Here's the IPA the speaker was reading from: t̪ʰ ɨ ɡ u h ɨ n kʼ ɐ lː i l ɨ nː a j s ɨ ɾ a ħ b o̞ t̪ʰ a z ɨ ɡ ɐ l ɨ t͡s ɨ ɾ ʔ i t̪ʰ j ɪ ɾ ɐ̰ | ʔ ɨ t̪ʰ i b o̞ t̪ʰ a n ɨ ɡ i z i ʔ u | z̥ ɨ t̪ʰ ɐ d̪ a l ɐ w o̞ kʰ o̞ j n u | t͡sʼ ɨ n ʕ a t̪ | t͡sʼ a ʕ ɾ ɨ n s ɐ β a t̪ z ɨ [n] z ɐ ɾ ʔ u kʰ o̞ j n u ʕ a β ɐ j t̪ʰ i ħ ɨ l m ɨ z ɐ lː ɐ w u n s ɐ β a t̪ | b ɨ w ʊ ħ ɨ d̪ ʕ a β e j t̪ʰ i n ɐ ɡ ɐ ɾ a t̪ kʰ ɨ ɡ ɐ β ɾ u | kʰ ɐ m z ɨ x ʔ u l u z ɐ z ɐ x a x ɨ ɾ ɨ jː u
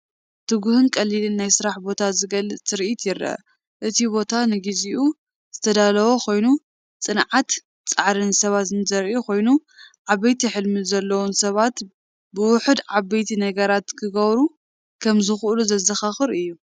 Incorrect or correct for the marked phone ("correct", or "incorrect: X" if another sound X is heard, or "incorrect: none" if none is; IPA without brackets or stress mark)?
correct